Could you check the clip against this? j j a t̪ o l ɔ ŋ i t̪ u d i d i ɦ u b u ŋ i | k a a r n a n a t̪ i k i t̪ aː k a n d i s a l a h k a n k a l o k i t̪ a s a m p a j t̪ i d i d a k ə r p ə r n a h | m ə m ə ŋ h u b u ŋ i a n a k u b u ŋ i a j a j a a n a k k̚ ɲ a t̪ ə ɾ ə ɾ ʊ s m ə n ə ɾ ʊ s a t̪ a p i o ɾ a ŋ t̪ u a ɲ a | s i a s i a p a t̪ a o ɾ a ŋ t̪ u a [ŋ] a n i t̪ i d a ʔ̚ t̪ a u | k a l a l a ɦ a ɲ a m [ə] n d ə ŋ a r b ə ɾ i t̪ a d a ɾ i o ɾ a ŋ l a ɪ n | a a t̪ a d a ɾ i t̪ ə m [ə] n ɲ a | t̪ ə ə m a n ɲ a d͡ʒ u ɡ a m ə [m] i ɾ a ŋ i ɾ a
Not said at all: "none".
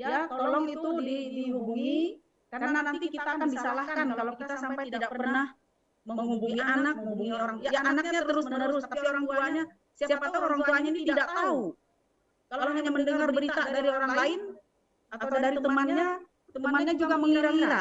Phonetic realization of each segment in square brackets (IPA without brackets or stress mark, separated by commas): ɲ, ə, a, ŋ